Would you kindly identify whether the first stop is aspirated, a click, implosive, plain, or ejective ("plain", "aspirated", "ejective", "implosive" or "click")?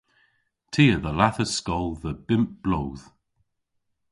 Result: aspirated